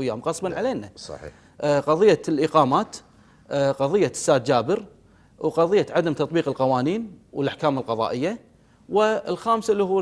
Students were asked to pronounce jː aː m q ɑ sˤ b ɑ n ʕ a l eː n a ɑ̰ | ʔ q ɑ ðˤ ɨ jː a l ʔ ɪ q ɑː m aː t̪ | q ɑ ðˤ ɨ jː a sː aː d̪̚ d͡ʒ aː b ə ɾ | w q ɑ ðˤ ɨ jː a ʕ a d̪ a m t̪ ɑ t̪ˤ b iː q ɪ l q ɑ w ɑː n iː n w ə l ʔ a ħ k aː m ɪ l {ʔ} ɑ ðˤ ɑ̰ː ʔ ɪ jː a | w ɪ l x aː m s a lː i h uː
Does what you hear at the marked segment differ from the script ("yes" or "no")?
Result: yes